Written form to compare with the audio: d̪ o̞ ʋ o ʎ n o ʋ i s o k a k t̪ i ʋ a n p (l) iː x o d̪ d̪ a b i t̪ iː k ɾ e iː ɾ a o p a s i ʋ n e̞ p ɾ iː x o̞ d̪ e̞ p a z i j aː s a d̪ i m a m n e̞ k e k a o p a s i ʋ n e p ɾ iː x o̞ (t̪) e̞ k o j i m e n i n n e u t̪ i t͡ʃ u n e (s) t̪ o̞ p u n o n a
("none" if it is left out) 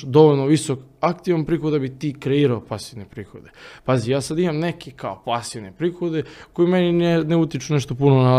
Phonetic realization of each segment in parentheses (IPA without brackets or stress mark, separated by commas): ɾ, d̪, ʃ